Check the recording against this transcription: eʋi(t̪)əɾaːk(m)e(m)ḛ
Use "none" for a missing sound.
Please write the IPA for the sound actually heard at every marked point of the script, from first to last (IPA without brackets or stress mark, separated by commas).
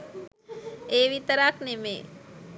t̪, n, m